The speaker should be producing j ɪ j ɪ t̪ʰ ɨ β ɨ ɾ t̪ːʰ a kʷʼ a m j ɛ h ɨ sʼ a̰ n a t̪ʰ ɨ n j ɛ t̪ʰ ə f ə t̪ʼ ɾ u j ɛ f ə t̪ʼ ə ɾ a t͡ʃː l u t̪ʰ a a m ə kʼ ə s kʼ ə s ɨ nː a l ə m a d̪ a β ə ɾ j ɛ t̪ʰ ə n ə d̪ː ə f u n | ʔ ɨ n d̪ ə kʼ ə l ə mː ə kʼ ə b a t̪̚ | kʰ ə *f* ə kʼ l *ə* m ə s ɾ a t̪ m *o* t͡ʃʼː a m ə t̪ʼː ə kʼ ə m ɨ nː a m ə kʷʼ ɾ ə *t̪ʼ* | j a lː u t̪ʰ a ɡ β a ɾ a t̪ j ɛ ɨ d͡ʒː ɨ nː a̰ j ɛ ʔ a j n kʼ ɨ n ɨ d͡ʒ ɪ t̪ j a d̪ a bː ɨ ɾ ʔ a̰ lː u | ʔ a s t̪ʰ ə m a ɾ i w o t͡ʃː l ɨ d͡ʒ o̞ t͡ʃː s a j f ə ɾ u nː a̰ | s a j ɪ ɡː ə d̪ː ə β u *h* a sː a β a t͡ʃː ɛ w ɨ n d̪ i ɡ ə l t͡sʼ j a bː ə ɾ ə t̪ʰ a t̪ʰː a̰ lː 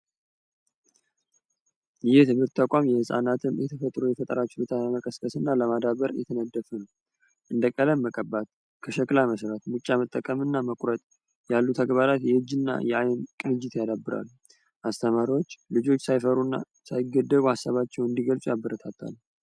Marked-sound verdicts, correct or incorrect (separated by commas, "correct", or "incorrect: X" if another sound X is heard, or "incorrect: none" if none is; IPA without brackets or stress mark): incorrect: ʃ, incorrect: a, incorrect: u, correct, correct